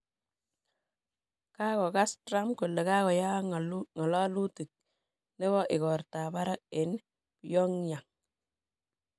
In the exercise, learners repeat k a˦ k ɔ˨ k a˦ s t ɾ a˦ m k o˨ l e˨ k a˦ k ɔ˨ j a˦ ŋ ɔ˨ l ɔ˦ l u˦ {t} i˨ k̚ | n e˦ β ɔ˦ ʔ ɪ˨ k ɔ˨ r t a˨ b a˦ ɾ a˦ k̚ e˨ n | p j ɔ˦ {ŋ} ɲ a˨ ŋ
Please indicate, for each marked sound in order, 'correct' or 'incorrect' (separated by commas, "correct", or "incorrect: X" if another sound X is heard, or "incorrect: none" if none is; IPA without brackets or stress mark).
correct, correct